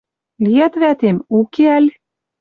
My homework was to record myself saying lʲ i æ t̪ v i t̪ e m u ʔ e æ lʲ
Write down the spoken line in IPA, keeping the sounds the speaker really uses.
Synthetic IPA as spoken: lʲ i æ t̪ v æ t̪ e m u k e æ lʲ

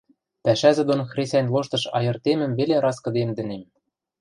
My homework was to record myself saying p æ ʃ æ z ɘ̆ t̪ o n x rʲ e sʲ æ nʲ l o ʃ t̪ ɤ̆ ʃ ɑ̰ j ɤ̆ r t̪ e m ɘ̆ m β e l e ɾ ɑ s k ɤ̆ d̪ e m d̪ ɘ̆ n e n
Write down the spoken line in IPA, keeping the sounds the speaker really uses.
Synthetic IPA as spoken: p æ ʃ æ z ɘ̆ d̪ o n x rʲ e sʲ æ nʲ l o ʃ t̪ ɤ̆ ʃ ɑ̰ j ɤ̆ r t̪ e m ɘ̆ m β e l e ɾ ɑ s k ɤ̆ d̪ e m d̪ ɘ̆ n e m

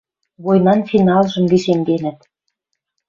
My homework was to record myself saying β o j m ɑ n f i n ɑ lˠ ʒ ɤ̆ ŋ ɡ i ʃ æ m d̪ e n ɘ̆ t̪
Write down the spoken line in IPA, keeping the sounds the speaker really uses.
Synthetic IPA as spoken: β o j n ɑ n f i n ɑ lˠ ʒ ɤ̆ m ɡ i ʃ e m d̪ e n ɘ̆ t̪

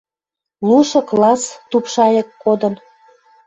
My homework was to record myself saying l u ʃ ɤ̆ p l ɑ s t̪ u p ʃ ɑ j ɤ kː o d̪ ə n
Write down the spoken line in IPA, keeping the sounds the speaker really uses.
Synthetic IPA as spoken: l u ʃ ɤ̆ k l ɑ s t̪ u p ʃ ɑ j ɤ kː o d̪ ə n

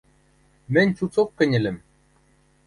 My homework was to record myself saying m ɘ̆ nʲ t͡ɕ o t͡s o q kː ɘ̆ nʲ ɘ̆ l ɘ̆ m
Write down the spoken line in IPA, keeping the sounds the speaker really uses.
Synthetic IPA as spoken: m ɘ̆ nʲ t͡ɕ u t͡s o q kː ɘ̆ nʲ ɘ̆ l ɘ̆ m

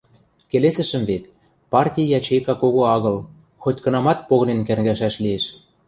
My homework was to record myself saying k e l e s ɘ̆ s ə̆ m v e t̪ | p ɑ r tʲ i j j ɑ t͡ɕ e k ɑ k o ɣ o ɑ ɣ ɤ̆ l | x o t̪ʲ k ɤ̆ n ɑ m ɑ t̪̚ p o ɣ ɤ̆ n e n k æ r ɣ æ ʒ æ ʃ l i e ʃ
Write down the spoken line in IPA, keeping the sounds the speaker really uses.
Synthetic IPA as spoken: k e l e s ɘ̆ ʃ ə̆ m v e t̪ | p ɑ r tʲ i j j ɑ t͡ɕ e k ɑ k o ɣ o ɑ ɣ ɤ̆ l | x o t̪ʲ k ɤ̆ n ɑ m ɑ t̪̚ p o ɣ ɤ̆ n e n k æ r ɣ æ ʃ æ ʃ l i e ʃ

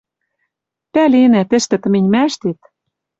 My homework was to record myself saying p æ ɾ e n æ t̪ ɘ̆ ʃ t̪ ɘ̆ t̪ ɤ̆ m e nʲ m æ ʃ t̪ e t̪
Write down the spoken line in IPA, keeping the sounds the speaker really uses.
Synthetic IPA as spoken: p æ l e n æ t̪ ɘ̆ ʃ t̪ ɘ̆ t̪ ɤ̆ m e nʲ m æ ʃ t̪ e t̪

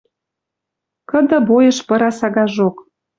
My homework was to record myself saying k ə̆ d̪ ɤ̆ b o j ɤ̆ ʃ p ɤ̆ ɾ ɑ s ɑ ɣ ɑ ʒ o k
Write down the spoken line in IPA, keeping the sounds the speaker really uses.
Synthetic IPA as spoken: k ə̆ d̪ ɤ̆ b o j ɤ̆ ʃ p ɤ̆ ɾ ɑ s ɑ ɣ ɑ ʒ o k

